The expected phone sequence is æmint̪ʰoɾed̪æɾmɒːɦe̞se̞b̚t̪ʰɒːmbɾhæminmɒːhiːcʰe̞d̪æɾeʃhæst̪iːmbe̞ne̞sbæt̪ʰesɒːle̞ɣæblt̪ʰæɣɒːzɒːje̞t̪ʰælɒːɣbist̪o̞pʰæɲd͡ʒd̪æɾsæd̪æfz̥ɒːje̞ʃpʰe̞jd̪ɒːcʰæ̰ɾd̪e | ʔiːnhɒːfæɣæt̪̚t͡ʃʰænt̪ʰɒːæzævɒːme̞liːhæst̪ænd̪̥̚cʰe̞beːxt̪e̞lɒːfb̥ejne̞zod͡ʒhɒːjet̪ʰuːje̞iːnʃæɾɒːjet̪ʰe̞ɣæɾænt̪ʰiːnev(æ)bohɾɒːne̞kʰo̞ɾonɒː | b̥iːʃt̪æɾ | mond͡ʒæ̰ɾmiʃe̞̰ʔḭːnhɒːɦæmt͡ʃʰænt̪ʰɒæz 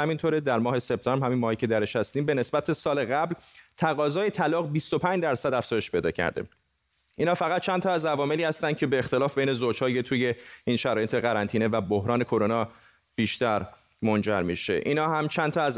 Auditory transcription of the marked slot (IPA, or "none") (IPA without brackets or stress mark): æ